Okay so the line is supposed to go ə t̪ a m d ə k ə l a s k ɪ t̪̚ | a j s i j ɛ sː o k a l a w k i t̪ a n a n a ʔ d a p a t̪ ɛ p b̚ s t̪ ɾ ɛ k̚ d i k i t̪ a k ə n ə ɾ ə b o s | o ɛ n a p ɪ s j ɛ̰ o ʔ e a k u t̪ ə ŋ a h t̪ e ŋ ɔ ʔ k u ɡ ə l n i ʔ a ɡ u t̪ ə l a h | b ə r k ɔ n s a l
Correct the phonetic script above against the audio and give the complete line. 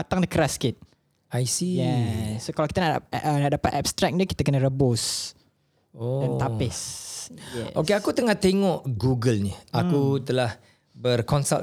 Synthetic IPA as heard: a t̪ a ŋ d ə k ə ɾ a s k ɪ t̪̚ | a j s i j ɛ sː o k a l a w k i t̪ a n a n a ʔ d a p a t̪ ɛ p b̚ s t̪ ɾ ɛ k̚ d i k i t̪ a k ə n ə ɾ ə b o s | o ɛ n a p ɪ s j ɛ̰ o k e a k u t̪ ə ŋ a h t̪ e ŋ ɔ ʔ ɡ u ɡ ə l n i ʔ a k u t̪ ə l a h | b ə r k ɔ n s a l